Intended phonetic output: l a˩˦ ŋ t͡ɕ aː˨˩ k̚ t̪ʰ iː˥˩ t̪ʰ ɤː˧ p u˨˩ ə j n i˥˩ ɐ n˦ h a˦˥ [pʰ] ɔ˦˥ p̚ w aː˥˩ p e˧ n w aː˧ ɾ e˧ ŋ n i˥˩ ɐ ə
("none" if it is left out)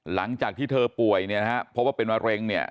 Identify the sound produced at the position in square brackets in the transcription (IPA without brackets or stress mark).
pʰ